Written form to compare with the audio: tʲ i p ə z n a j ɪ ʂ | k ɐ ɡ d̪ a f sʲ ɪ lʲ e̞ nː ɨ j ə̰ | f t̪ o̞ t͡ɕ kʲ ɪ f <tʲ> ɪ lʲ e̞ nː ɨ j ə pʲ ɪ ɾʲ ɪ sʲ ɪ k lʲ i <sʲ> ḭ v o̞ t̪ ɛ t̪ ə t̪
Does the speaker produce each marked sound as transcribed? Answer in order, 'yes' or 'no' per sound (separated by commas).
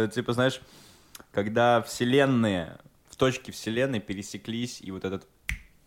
no, yes